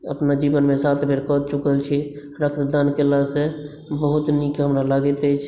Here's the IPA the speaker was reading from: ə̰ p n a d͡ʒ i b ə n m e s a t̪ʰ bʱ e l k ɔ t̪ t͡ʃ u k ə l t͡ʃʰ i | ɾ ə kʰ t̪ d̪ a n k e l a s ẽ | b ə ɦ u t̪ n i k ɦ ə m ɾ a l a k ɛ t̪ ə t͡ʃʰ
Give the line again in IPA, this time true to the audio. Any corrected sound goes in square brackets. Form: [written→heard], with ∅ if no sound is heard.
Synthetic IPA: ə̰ p n a d͡ʒ i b ə n m e s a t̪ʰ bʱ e [l→ɾ] k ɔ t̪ t͡ʃ u k ə l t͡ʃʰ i | ɾ ə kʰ t̪ d̪ a n k e l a s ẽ | b ə ɦ u t̪ n i k ɦ ə m ɾ a l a [k→ɡ] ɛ t̪ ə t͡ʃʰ